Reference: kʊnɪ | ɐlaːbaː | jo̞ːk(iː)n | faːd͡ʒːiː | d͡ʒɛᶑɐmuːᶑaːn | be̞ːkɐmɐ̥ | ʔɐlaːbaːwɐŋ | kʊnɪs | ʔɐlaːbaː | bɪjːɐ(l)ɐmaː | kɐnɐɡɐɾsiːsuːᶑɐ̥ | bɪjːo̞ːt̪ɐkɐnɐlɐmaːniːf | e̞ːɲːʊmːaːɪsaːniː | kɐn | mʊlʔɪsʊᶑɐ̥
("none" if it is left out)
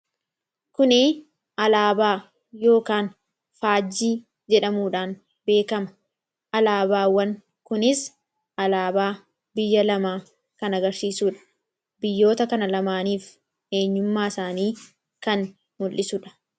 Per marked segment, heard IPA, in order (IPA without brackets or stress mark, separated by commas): aː, l